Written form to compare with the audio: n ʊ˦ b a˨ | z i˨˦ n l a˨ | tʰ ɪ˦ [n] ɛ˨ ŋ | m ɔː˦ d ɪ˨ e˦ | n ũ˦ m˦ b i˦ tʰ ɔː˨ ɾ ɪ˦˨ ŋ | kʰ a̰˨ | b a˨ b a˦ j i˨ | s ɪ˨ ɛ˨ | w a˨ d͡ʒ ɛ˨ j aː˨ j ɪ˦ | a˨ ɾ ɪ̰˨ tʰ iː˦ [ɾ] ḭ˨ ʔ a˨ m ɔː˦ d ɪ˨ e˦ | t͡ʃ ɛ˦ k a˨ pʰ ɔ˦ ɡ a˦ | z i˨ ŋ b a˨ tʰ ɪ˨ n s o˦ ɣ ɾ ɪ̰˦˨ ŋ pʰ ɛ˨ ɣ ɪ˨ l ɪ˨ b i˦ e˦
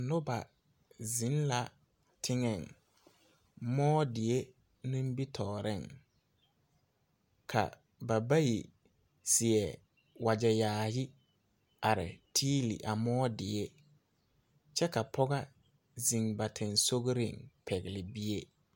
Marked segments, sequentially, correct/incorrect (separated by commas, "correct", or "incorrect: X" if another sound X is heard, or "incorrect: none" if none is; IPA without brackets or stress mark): incorrect: ŋ, incorrect: l